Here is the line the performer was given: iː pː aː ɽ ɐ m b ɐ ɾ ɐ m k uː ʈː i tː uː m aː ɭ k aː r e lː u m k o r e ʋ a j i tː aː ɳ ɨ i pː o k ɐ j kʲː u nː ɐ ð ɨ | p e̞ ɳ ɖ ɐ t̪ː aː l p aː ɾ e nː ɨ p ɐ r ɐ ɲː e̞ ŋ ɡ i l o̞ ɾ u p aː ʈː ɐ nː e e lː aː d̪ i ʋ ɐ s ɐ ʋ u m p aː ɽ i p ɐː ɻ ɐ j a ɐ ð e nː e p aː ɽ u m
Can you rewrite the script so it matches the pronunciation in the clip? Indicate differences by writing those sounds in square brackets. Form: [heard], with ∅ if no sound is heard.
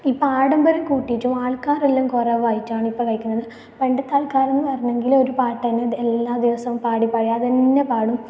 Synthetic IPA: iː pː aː ɽ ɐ m b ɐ ɾ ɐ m k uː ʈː i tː [u] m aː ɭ k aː r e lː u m k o r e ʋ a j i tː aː ɳ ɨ i pː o k ɐ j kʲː u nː ɐ ð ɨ | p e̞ ɳ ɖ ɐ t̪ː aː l [k] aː ɾ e nː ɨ p ɐ r ɐ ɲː e̞ ŋ ɡ i l o̞ ɾ u p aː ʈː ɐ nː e e lː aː d̪ i ʋ ɐ s ɐ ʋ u m p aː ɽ i p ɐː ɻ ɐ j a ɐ ð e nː e p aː ɽ u m